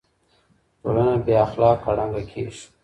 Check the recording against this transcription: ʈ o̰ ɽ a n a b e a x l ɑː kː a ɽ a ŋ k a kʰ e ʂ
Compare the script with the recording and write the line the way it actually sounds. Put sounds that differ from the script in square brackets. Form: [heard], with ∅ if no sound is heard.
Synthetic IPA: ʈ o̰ [l] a n a b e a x l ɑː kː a ɽ a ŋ [ɡ] a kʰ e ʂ